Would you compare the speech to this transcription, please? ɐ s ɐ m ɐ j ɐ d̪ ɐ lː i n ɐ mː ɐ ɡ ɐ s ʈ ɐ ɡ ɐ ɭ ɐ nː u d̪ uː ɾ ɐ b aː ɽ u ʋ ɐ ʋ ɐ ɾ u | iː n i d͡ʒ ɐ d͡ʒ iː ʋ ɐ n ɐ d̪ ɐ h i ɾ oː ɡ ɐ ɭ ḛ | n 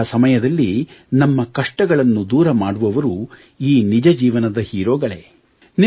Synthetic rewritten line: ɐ s ɐ m ɐ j ɐ d̪ ɐ lː i n ɐ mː ɐ k ɐ ʂ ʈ ɐ ɡ ɐ ɭ ɐ nː u d̪ uː ɾ ɐ m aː ɽ u ʋ ɐ ʋ ɐ ɾ u | iː n i d͡ʒ ɐ d͡ʒ iː ʋ ɐ n ɐ d̪ ɐ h iː ɾ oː ɡ ɐ ɭ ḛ | n